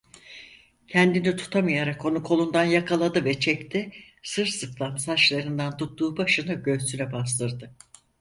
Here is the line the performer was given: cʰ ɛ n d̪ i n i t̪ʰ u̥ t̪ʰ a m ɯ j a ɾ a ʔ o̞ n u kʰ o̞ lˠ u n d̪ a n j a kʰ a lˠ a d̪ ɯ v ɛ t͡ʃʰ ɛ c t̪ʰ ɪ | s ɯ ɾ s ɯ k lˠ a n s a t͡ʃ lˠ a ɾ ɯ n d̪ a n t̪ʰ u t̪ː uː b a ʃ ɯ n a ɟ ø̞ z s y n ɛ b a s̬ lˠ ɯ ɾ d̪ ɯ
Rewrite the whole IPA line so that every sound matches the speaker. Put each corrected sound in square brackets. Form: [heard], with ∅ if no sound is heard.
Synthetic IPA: cʰ ɛ n d̪ i n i t̪ʰ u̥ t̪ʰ a m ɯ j a ɾ a [k] o̞ n u kʰ o̞ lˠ u n d̪ a n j a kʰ a lˠ a d̪ ɯ v ɛ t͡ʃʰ ɛ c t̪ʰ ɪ | s ɯ ɾ s ɯ k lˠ a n s a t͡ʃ lˠ a ɾ ɯ n d̪ a n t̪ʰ u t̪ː uː b a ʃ ɯ n a ɟ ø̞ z s y n ɛ b a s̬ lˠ ɯ ɾ d̪ ɯ